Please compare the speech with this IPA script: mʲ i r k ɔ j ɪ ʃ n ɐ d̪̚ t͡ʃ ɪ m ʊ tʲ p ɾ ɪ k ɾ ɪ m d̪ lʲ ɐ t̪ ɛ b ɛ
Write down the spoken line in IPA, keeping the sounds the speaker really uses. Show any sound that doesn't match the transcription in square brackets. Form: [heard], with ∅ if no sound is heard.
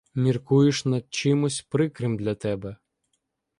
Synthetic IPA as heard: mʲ i r k [u] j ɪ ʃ n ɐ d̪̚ t͡ʃ ɪ m ʊ [sʲ] p ɾ ɪ k ɾ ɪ m d̪ lʲ ɐ t̪ ɛ b ɛ